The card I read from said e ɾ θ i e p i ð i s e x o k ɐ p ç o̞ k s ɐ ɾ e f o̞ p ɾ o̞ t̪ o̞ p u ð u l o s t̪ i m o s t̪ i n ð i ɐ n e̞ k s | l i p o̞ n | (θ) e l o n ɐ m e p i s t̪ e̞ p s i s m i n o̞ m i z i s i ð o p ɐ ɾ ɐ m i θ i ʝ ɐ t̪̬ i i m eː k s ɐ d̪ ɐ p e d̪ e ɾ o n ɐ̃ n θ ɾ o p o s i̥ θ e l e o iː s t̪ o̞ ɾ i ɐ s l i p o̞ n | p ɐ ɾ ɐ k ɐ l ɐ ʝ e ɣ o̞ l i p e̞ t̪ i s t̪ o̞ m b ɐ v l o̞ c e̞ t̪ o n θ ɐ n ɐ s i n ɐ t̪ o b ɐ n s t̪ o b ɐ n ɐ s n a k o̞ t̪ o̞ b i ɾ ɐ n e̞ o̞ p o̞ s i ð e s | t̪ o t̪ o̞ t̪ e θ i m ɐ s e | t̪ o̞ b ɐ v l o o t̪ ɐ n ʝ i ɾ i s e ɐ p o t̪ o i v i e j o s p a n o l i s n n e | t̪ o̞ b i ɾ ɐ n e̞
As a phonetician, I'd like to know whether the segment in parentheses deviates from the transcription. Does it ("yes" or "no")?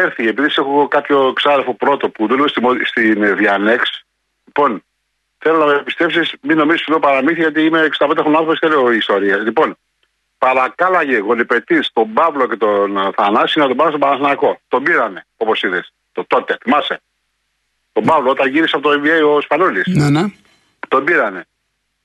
no